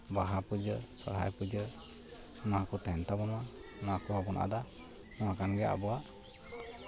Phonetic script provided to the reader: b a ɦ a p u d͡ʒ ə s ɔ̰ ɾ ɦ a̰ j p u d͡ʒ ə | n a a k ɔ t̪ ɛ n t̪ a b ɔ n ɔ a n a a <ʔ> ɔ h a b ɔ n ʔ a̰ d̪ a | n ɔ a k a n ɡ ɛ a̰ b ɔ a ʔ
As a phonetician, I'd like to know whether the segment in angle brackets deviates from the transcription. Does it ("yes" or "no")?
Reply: yes